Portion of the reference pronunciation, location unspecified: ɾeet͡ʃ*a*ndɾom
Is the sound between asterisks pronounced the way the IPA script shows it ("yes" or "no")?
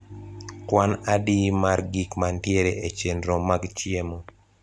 no